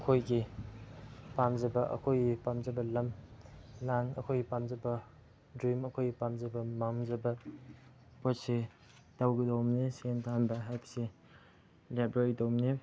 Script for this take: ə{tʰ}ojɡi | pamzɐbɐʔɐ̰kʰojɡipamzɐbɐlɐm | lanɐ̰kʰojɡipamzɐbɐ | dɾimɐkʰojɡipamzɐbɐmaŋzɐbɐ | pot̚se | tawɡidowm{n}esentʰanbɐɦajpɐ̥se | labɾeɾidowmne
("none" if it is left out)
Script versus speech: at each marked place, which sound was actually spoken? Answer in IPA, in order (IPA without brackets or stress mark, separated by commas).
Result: kʰ, n